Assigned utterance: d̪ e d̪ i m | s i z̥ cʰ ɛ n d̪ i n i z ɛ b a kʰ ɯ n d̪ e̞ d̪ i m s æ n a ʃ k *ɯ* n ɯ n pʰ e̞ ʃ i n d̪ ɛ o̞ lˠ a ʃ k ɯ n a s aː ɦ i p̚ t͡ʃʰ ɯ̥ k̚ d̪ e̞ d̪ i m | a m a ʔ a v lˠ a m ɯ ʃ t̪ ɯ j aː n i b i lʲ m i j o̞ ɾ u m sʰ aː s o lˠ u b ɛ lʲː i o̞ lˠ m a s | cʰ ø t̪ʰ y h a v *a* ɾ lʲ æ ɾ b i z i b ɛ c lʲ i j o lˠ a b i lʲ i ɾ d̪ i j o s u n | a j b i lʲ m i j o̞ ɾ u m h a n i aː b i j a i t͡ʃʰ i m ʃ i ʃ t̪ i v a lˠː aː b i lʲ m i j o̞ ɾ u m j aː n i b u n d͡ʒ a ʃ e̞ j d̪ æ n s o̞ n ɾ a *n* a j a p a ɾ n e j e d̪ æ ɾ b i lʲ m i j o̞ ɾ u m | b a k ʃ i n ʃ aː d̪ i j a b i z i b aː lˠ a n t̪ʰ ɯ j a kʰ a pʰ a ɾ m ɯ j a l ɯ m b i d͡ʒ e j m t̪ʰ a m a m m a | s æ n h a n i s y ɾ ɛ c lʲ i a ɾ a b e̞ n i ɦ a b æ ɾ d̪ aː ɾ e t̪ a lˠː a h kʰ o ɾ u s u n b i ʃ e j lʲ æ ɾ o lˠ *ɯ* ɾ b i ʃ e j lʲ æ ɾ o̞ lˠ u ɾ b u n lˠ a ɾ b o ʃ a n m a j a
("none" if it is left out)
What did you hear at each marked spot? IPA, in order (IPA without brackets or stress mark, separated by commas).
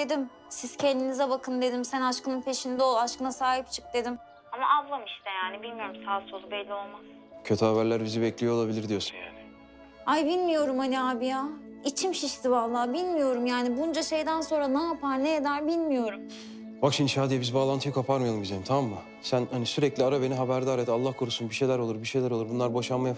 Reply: ɯ, æ, n, u